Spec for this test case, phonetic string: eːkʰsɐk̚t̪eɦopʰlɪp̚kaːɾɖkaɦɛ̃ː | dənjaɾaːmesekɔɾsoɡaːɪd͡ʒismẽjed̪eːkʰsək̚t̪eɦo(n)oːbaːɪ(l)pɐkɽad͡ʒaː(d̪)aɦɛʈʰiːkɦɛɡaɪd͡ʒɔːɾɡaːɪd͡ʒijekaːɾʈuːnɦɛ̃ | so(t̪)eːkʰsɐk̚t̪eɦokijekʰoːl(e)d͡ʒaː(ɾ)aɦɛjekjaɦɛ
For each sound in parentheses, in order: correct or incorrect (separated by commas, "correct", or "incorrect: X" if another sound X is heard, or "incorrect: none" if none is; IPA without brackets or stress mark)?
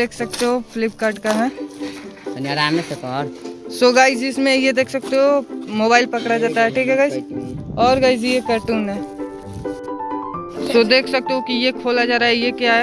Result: incorrect: m, correct, incorrect: t̪, incorrect: d̪, incorrect: a, correct